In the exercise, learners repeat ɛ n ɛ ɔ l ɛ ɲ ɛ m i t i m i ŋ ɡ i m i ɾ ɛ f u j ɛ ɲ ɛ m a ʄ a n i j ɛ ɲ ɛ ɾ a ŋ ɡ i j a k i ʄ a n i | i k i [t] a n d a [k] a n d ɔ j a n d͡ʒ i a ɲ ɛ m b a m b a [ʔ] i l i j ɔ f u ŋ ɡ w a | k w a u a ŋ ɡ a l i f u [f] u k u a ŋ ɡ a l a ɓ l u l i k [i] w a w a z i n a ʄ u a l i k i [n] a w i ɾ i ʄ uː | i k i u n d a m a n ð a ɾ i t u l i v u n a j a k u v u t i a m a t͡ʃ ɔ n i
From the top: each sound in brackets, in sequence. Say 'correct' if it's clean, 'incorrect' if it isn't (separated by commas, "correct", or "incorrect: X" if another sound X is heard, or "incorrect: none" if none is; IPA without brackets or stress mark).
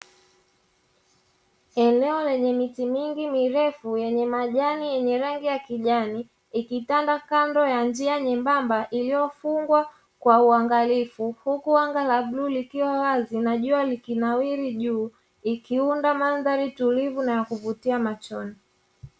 correct, correct, correct, incorrect: h, correct, correct